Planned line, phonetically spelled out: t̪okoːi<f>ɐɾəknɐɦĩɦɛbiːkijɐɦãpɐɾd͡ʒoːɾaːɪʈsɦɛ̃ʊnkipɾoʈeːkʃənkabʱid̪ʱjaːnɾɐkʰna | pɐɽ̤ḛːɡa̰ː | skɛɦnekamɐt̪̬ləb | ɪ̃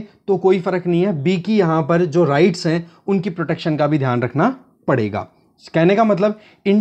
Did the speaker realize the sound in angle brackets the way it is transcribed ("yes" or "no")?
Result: yes